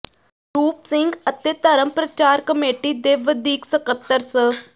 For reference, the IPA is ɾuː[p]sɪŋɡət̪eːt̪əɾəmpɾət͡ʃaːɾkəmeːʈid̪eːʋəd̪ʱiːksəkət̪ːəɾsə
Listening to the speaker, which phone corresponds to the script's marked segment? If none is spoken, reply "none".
p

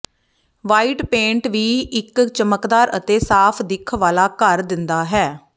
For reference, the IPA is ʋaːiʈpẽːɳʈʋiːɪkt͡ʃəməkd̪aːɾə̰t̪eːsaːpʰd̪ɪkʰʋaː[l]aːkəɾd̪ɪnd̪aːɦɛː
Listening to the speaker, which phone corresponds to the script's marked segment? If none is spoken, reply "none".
l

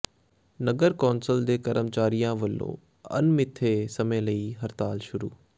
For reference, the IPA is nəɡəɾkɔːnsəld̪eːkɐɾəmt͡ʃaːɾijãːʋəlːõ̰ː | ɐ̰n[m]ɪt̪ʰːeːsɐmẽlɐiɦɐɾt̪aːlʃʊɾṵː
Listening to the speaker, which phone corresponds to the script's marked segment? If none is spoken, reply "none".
m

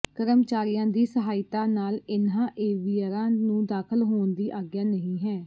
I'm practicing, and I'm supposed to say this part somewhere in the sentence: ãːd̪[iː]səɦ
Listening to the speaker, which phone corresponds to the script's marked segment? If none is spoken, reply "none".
iː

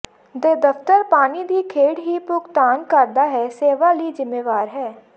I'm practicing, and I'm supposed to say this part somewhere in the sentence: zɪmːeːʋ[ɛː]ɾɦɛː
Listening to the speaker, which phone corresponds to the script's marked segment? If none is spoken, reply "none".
aː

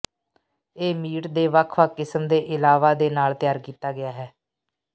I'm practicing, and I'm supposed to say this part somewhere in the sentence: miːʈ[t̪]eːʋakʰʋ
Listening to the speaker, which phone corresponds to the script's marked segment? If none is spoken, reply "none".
d̪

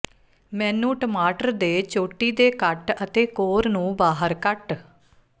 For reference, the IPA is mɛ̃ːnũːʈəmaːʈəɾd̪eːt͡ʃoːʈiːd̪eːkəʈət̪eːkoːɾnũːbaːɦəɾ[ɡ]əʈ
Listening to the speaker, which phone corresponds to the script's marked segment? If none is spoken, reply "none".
k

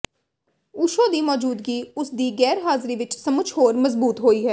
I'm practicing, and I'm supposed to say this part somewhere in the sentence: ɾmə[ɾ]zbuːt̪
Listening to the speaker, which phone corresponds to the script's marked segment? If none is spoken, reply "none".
none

